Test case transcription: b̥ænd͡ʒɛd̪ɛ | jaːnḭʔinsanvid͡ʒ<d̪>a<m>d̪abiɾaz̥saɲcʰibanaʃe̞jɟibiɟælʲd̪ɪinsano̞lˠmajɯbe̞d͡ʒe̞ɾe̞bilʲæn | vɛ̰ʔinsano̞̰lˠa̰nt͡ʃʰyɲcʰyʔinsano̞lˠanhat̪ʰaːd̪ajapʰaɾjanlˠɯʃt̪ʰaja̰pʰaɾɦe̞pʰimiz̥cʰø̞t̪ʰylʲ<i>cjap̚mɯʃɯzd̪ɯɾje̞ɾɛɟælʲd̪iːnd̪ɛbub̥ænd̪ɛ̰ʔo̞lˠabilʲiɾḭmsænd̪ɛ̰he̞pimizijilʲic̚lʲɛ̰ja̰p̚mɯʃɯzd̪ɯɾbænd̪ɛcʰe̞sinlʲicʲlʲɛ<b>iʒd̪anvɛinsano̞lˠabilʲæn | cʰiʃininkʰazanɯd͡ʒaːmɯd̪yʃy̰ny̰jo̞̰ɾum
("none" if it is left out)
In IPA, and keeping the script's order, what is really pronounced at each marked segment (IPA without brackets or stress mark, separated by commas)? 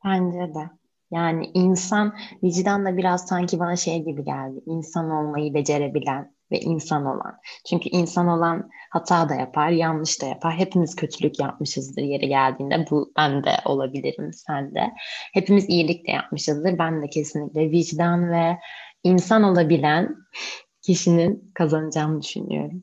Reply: d̪, n, y, v